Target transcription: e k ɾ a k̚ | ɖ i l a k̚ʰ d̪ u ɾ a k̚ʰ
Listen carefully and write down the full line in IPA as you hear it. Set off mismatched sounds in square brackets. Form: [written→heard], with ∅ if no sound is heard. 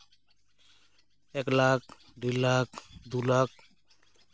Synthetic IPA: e k [ɾ→l] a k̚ | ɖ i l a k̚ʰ d̪ u [ɾ→l] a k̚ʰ